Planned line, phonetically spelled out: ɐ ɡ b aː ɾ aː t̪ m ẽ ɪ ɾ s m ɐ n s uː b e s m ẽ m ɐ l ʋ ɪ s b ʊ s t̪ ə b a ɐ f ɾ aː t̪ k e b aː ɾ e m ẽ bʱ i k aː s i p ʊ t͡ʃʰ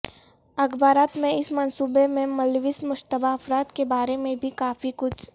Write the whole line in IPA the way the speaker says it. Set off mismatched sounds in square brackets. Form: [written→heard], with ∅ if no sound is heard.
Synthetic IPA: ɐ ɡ b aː ɾ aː t̪ m ẽ ɪ [ɾ→∅] s m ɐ n s uː b e [s→∅] m ẽ m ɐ l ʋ ɪ s [b→m] ʊ [s→ʃ] t̪ ə b a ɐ f ɾ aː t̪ k e b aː ɾ e m ẽ bʱ i k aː [s→f] i [p→k] ʊ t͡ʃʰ